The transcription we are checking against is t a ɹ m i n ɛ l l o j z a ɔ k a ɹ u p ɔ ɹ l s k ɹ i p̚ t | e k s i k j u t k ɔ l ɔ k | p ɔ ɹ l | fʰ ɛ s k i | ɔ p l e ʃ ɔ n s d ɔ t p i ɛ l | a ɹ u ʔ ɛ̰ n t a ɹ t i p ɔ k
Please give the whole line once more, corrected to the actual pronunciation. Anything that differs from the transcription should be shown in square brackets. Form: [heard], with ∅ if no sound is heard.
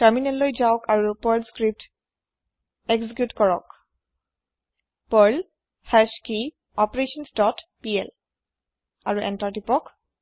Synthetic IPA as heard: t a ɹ m i n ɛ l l o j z a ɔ k a ɹ u p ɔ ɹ l s k ɹ i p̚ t | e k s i k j u t k ɔ [ɹ] ɔ k | p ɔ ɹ l | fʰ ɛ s k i | ɔ p [ɹ] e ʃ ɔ n s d ɔ t p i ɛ l | a ɹ u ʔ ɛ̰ n t a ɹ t i p ɔ k